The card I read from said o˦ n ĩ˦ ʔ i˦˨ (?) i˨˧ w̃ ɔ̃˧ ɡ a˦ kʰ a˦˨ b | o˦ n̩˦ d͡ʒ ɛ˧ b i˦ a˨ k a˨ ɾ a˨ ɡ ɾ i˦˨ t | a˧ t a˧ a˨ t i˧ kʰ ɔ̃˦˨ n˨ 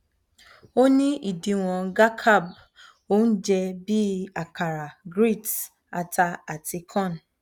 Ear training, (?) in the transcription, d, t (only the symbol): d